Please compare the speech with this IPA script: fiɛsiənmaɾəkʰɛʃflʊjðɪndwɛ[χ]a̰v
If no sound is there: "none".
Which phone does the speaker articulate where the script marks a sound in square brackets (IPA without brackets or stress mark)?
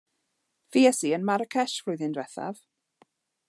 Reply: θ